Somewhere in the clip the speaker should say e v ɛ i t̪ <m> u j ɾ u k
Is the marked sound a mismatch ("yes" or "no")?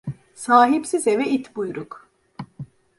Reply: yes